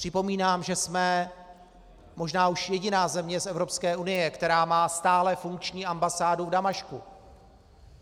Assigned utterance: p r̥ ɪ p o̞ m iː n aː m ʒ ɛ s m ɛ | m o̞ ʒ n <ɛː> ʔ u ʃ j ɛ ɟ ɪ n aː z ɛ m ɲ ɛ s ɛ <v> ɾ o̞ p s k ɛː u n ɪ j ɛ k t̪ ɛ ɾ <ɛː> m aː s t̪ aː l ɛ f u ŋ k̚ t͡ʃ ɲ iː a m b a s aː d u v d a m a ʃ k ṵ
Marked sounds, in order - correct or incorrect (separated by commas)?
incorrect, correct, incorrect